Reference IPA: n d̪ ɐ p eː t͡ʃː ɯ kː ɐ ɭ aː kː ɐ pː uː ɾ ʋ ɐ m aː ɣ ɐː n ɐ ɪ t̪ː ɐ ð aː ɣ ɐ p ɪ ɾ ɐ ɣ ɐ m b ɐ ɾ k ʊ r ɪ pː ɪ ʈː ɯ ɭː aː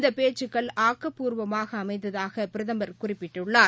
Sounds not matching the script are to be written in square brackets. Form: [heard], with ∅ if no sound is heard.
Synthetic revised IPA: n d̪ ɐ p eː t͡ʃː ɯ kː ɐ ɭ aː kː ɐ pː uː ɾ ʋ ɐ m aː ɣ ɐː [m] ɐ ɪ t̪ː ɐ ð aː ɣ ɐ p ɪ ɾ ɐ [ð] ɐ m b ɐ ɾ k ʊ r ɪ pː ɪ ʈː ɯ ɭː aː